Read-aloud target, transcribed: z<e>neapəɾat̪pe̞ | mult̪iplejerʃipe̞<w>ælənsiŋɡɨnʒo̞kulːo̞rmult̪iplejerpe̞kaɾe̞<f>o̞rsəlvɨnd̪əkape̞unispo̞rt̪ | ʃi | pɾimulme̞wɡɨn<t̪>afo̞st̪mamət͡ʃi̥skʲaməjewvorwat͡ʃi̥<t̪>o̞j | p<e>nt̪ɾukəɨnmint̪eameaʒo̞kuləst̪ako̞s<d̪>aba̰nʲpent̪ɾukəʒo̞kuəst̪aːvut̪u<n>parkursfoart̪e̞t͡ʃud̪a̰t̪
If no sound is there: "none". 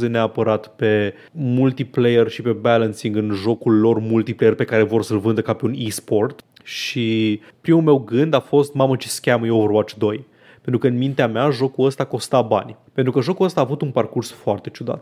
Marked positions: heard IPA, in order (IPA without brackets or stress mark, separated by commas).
e, b, v, d̪, d̪, e, t̪, n